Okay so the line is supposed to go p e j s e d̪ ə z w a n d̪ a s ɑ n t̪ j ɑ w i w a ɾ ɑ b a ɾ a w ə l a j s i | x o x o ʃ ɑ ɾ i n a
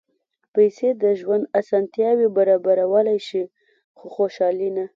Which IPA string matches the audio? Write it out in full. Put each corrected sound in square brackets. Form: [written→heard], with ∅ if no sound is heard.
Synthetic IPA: p [e→a] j s e d̪ ə [z→ʒ] w a n d̪ a s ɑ n t̪ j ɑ w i [w→b] a ɾ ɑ b a ɾ a w ə l a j [s→ʃ] i | x o x o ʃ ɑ [ɾ→l] i n a

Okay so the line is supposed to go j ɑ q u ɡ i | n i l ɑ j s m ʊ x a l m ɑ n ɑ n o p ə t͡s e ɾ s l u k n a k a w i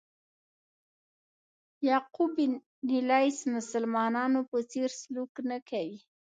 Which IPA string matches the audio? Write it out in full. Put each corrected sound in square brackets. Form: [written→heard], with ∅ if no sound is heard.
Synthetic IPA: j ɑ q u [ɡ→b] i | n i l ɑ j s m ʊ [x→s] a l m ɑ n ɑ n o p ə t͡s e ɾ s l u k n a k a w i

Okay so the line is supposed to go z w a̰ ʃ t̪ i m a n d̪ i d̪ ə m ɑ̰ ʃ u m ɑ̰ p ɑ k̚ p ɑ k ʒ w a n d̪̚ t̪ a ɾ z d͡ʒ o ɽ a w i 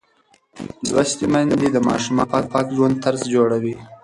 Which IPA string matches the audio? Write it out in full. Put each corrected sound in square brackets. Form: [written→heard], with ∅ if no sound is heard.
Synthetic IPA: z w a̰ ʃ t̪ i m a n d̪ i d̪ ə m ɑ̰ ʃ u m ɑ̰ p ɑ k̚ p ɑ k ʒ w a n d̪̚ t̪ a ɾ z d͡ʒ o ɽ a w i

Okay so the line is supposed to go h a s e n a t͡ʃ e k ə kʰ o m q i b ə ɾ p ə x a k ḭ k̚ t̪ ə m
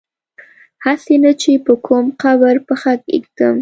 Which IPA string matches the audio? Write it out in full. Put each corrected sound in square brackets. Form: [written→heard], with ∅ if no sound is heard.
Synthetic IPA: h a s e n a t͡ʃ e [k→p] ə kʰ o m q [i→a] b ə ɾ p ə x a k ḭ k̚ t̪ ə m

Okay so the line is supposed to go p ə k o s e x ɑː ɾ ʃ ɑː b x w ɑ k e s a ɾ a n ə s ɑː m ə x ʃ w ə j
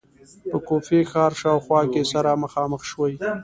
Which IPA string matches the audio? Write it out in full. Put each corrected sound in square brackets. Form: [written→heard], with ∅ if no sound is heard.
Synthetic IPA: p ə k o [s→f] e x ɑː ɾ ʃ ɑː [b→w] x w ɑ k e s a ɾ a [n→m] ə [s→x] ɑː m ə x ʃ w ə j

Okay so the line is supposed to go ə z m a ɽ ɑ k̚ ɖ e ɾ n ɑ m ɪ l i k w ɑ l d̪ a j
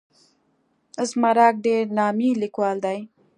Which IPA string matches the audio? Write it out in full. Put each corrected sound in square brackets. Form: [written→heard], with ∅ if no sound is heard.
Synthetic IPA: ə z m a [ɽ→ɾ] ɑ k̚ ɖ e ɾ n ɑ m [ɪ→i] l i k w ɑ l d̪ a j

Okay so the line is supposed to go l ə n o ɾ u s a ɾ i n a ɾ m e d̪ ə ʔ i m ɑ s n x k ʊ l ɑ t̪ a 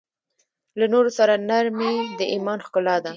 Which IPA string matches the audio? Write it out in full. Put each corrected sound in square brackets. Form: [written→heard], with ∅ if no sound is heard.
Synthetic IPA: l [ə→a] n o ɾ [u→o] s a ɾ [i→a] n a ɾ m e d̪ ə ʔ i m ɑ [s→∅] n x k ʊ l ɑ [t̪→d̪] a

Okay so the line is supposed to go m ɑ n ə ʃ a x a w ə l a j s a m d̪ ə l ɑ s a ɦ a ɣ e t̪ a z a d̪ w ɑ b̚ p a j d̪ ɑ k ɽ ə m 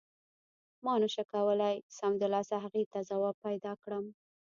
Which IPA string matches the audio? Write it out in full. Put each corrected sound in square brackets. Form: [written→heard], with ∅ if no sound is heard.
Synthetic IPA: m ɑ n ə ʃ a [x→k] a w ə l a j s a m d̪ ə l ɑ s a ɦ a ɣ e t̪ a z a [d̪→∅] w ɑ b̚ p a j d̪ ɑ k ɽ ə m

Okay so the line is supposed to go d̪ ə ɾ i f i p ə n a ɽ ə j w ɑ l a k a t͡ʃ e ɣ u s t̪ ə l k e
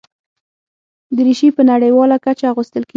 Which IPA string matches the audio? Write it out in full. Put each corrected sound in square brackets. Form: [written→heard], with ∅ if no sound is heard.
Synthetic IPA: d̪ ə ɾ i [f→ʃ] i p ə n a ɽ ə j w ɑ l a k a t͡ʃ [e→a] ɣ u s t̪ ə l k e

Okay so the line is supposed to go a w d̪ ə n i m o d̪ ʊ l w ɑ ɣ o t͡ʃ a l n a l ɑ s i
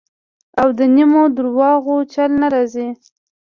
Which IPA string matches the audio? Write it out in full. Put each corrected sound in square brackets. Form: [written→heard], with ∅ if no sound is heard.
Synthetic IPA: a w d̪ ə n i m o d̪ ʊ [l→ɾ] w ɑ ɣ o t͡ʃ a l n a [l→ɾ] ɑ [s→z] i

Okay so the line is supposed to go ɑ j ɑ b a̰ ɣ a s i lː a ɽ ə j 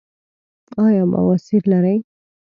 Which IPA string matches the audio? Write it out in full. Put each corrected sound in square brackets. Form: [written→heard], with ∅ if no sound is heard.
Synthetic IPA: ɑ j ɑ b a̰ [ɣ→w] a s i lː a [ɽ→ɾ] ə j

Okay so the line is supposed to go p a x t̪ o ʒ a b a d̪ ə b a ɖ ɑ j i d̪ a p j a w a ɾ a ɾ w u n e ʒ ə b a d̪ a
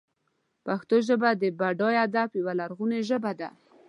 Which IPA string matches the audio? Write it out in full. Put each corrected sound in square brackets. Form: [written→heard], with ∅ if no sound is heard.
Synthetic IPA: p a x t̪ o ʒ [a→ə] b a d̪ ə b a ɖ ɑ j [i→a] d̪ a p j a w a [ɾ→l] a ɾ [w→ɣ] u n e ʒ ə b a d̪ a

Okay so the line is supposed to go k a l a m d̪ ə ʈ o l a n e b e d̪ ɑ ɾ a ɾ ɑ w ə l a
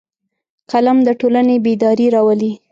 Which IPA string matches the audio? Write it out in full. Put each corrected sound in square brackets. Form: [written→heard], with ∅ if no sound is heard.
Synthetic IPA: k a l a m d̪ ə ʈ o l a n e b e d̪ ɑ ɾ [a→i] ɾ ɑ w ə l [a→i]

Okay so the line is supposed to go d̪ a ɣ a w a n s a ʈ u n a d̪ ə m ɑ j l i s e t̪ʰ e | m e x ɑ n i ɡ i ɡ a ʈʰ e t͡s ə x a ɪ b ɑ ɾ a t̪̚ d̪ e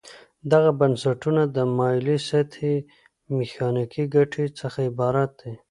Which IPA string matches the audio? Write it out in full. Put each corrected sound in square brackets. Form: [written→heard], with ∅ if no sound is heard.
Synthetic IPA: d̪ a ɣ a [w→b] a n s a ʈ u n a d̪ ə m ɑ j l i s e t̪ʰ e | m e x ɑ n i [ɡ→k] i ɡ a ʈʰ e t͡s ə x a ɪ b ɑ ɾ a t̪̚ d̪ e

